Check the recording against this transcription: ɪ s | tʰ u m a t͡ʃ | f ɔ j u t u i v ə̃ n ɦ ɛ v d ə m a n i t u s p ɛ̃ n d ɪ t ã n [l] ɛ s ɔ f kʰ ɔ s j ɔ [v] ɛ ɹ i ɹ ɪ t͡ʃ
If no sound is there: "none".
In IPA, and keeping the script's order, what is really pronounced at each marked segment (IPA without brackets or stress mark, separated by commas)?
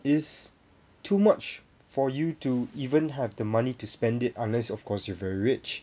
l, v